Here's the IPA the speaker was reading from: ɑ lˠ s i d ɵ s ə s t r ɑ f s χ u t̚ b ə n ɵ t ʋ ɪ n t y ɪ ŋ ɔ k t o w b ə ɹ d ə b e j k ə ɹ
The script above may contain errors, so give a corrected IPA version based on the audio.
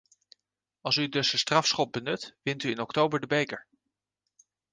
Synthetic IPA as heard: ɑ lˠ s y d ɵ s ə s t r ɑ f s χ ɔ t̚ b ə n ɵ t ʋ ɪ n t y ɪ n ɔ k t o w b ə ɹ d ə b e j k ə ɹ